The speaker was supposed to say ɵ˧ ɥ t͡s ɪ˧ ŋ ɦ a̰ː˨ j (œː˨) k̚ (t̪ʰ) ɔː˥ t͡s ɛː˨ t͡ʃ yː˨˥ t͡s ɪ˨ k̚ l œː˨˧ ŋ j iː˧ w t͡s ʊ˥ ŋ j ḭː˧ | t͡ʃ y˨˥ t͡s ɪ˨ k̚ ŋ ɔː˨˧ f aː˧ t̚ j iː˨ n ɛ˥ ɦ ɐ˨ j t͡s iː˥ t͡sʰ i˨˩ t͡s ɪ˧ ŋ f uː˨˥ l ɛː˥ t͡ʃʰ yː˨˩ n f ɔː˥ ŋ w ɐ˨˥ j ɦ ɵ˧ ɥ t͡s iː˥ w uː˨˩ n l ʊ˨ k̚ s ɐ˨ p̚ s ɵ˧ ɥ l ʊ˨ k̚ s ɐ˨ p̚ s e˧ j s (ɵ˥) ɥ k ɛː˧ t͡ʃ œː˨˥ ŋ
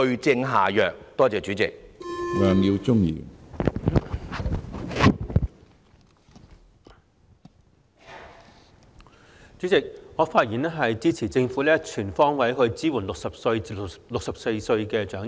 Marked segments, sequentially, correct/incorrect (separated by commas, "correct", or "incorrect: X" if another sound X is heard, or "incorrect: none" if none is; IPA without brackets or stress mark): correct, incorrect: t̪, incorrect: ɵ˧